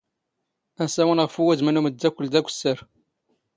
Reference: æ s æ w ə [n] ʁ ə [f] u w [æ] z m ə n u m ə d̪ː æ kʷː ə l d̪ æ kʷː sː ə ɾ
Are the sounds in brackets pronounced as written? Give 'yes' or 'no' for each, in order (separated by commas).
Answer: yes, yes, yes